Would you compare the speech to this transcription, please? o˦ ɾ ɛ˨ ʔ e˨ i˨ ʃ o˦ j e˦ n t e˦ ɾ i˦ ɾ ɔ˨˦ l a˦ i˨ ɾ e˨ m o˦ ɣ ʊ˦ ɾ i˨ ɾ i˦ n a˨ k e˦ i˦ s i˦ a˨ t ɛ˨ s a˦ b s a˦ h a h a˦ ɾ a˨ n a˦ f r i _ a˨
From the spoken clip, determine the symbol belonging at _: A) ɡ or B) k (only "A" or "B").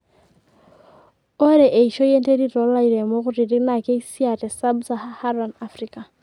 B